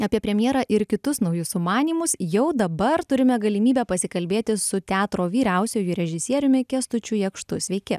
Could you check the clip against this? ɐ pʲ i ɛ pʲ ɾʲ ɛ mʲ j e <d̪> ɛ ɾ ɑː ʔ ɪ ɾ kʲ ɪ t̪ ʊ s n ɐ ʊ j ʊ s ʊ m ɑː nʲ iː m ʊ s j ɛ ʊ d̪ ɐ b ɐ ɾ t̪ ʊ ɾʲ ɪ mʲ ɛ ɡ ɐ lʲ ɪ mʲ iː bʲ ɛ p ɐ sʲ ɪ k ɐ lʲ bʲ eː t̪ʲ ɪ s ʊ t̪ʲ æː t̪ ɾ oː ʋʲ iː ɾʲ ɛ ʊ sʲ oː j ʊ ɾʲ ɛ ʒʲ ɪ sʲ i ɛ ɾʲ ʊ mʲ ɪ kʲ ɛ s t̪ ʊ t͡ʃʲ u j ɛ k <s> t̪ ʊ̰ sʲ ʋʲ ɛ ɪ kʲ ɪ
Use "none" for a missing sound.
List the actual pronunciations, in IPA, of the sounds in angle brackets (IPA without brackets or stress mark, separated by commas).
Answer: none, ʃ